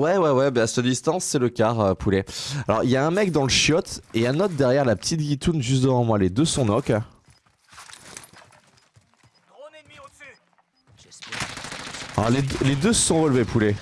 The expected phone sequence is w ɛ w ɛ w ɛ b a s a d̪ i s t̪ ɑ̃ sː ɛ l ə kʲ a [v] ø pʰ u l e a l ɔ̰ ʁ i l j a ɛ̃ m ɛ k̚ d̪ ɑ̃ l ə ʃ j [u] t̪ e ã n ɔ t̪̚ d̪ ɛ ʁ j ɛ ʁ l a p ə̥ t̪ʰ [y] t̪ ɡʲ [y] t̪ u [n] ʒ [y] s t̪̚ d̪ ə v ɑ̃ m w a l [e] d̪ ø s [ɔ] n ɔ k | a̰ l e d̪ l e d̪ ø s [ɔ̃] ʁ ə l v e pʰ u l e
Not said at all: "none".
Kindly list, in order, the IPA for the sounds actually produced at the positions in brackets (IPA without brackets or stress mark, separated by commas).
ʁ, ɔ, i, i, n, y, e, ɔ̃, ɔ̃